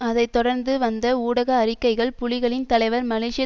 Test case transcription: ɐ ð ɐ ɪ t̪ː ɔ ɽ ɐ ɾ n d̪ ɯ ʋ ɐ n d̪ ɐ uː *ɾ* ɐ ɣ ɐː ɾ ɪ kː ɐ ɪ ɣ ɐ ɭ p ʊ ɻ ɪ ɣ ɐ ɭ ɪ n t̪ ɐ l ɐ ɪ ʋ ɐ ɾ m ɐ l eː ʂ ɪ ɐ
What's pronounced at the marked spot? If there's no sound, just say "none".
ɽ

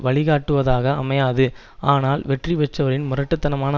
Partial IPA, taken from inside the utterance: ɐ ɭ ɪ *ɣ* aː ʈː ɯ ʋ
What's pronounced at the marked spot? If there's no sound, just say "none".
ɣ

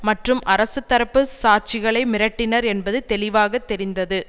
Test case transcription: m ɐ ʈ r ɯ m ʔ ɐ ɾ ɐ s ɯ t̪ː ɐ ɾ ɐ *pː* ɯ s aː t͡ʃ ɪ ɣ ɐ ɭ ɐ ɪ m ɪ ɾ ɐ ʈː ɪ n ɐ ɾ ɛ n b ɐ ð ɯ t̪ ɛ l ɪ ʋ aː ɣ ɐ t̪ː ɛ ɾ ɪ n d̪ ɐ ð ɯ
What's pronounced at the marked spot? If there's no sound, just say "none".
pː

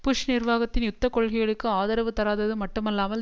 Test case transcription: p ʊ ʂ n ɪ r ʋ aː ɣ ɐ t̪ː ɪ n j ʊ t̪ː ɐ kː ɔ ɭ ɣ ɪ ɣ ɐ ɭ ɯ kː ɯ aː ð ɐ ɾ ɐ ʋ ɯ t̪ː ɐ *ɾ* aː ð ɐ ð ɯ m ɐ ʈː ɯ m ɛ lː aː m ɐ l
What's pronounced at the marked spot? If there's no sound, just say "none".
ɾ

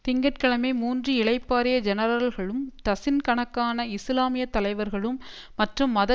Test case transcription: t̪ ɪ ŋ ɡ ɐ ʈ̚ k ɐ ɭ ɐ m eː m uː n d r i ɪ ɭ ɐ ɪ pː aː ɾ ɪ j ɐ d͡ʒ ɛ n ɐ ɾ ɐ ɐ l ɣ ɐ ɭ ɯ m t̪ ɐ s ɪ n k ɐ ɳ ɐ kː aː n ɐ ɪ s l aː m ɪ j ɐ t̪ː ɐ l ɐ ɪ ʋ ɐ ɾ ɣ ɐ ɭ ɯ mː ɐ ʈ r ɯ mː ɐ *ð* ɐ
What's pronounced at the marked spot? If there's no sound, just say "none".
ð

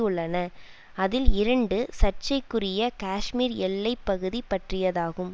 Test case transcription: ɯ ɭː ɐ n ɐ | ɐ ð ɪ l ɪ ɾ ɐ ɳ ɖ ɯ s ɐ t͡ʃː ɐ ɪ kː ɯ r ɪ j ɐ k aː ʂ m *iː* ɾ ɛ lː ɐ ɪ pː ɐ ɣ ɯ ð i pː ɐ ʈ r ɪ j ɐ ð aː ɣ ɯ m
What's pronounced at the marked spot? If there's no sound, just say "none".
iː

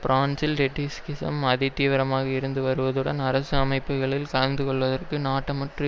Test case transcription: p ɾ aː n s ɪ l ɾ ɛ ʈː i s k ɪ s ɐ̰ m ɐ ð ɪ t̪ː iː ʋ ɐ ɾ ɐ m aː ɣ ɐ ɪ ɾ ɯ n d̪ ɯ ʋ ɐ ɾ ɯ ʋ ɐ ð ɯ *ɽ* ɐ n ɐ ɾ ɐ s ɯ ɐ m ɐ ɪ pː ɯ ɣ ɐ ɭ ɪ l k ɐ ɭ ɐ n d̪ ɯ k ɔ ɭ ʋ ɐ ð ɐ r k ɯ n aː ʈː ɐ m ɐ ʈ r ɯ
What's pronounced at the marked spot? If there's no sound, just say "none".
ɽ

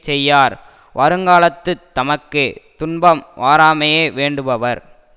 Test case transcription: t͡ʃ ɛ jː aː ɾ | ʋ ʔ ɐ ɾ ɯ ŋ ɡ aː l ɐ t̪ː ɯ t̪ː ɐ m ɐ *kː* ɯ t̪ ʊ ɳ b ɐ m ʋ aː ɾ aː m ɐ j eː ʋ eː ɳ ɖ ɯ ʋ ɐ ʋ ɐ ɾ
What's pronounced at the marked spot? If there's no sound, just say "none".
kː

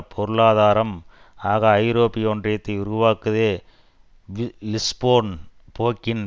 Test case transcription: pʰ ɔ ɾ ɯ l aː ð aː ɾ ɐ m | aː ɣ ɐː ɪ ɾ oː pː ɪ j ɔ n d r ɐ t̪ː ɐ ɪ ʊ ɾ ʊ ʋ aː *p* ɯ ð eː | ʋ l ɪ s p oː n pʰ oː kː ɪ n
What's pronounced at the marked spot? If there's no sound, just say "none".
k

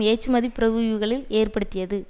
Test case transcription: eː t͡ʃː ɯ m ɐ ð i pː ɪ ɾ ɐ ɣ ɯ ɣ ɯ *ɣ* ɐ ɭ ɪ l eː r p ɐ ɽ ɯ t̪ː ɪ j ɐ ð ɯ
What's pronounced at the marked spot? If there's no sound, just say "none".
ɣ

